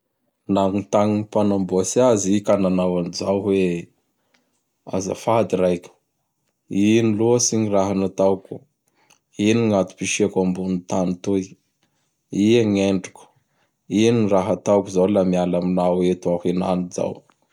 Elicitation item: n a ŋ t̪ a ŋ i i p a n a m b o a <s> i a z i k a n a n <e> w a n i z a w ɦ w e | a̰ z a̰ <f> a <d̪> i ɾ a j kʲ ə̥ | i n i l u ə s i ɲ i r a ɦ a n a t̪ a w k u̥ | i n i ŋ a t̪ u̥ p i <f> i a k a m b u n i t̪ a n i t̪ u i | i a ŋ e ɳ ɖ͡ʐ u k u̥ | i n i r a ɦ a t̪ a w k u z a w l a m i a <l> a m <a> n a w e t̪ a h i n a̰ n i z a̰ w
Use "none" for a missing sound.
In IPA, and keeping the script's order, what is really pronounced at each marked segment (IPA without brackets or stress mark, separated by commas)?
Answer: s, a, f, d̪, ʃ, l, i